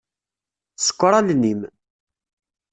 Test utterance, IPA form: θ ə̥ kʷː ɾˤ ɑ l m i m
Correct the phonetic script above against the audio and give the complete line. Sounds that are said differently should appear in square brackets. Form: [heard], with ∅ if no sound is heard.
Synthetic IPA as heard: [s] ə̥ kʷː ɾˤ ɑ l [n] i m